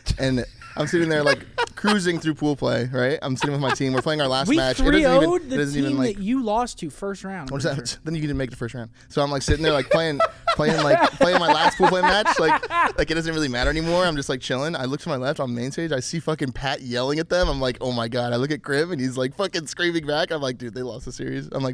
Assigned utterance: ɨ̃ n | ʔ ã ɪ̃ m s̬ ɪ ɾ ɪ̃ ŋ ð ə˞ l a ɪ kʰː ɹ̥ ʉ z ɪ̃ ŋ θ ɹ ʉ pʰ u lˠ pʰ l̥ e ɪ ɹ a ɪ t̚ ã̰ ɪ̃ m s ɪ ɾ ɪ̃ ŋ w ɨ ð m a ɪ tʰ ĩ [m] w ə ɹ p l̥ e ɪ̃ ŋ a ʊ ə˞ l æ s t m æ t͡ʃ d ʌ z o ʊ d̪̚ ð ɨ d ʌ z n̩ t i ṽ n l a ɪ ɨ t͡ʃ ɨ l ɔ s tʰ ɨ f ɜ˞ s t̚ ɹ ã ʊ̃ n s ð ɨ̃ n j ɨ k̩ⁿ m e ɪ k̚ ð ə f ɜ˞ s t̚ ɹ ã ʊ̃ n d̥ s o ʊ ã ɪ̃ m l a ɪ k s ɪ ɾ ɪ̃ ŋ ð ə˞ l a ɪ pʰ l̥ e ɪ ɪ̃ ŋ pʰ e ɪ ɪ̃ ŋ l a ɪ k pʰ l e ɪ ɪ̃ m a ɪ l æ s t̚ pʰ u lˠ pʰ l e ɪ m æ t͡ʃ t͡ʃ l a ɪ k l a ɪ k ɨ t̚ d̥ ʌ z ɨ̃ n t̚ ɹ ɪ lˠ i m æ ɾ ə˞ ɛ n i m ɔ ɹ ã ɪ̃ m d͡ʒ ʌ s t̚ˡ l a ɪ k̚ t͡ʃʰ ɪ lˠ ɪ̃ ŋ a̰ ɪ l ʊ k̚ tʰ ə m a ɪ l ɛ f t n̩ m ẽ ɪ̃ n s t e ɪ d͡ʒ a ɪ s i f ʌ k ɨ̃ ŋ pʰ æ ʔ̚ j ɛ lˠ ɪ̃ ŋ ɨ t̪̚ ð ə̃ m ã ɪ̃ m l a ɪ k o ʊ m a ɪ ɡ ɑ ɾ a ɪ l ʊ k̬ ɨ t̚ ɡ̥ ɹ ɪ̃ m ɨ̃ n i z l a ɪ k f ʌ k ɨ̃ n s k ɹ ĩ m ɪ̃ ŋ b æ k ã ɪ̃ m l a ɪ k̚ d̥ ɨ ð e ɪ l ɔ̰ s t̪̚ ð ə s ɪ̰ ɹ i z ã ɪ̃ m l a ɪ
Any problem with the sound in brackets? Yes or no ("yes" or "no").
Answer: no